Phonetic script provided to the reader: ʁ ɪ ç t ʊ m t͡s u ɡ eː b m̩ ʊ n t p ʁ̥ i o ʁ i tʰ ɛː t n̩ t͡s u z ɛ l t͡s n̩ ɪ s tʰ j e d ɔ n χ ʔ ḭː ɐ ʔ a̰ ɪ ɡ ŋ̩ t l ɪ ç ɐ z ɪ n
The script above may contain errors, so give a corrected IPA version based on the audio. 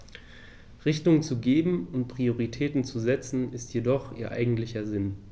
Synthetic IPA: ʁ ɪ ç t ʊ ŋ t͡s u ɡ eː b m̩ ʊ n t p ʁ̥ i o ʁ i tʰ ɛː t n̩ t͡s u z ɛ t͡s n̩ ɪ s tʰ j e d ɔ χ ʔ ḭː ɐ ʔ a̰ ɪ ɡ ŋ̩ t l ɪ ç ɐ z ɪ n